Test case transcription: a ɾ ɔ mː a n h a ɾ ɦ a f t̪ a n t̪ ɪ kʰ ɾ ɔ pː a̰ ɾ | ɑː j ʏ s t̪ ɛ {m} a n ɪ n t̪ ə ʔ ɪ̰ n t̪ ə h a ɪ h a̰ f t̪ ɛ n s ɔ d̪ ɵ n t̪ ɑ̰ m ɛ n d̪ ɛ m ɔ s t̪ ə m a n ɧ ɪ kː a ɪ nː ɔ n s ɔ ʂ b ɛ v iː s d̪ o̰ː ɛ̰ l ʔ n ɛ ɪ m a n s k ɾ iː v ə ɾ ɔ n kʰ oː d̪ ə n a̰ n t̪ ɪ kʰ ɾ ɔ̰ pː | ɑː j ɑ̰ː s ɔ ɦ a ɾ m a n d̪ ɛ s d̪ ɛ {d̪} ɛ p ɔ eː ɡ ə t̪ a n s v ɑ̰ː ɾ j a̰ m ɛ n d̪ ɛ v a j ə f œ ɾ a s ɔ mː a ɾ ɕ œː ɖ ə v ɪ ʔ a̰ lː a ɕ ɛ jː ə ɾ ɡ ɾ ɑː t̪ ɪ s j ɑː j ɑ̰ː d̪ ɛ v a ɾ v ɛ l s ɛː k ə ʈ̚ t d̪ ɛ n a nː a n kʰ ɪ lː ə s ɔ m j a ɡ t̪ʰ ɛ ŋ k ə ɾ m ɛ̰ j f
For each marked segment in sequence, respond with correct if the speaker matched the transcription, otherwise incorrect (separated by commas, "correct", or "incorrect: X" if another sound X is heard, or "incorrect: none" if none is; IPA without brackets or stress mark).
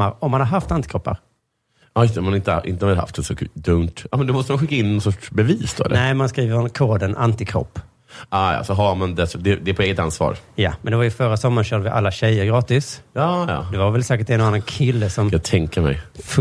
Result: correct, correct